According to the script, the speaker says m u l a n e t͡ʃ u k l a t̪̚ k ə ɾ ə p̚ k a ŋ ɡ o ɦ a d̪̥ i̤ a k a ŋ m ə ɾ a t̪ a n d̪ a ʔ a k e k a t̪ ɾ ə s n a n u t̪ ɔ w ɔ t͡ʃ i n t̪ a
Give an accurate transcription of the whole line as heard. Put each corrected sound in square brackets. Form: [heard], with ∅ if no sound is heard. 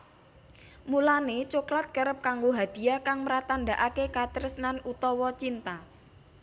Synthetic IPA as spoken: m u l a n e t͡ʃ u k l a t̪̚ k ə ɾ ə p̚ k a ŋ ɡ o ɦ a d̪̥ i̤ a k a ŋ m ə ɾ a t̪ a n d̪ a ʔ a k e k a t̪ ɾ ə s n a n u t̪ ɔ w ɔ t͡ʃ i n t̪ a